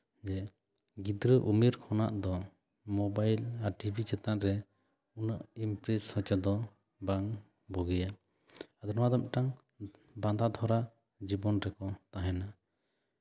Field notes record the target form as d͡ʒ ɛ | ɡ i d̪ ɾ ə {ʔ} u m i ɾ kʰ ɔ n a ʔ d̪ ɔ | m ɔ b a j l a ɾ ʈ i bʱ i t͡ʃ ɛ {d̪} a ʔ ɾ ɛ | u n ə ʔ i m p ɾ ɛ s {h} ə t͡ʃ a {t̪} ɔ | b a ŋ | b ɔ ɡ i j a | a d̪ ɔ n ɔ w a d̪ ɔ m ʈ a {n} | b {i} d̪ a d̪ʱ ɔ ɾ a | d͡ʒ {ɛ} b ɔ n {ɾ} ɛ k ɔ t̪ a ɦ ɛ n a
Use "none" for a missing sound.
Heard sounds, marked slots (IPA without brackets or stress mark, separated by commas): ʔ, t̪, h, d̪, ŋ, a, i, ɾ